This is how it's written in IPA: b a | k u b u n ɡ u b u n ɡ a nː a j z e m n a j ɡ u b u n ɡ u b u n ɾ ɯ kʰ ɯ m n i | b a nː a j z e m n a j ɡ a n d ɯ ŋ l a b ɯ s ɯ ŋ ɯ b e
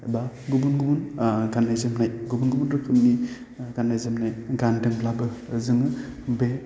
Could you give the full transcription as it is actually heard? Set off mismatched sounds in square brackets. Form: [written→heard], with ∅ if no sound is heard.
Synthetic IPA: b a | [k→ɡ] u b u n ɡ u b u n ɡ a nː a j z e m n a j ɡ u b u n ɡ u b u n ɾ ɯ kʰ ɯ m n i | [b→ɡ] a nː a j z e m n a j ɡ a n d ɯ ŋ l a b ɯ [s→z] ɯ ŋ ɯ b e